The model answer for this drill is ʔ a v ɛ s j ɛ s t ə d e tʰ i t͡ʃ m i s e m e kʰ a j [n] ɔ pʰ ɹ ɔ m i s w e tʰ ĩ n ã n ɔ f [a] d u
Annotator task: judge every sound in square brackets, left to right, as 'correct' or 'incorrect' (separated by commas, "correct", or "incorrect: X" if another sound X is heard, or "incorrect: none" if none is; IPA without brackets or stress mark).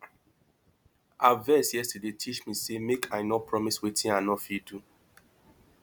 correct, incorrect: i